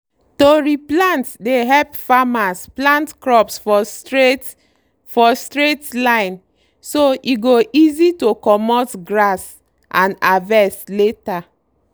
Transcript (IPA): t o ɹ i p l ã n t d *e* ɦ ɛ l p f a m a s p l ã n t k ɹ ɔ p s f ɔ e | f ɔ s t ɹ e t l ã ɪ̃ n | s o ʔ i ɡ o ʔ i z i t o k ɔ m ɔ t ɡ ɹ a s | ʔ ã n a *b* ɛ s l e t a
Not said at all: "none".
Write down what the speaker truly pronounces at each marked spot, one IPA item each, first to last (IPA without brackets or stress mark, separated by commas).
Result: e, v